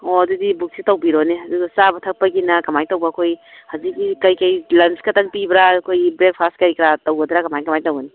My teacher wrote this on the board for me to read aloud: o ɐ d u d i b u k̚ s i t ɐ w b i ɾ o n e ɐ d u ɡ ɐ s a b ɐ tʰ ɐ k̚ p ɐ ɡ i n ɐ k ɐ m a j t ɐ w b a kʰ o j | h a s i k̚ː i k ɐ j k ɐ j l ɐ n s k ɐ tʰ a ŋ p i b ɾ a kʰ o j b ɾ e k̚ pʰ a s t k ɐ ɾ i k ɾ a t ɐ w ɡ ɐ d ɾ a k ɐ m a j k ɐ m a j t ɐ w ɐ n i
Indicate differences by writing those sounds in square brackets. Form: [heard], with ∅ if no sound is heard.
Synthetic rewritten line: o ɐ d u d i b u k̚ s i t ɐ w b i ɾ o n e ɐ d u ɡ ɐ s a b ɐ tʰ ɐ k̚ p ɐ ɡ i n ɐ k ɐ m a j t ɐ w b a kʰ o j | h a [z] i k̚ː i k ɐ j k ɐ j l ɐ n s k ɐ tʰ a ŋ p i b ɾ a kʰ o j b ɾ e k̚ pʰ a s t k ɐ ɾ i k ɾ a t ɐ w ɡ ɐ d ɾ a k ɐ m a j k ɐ m a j t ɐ w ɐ n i